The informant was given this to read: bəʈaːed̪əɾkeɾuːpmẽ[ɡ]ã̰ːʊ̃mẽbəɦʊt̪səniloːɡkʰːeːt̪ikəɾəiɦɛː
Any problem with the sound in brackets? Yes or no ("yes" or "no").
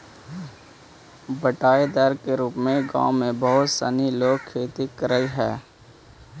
no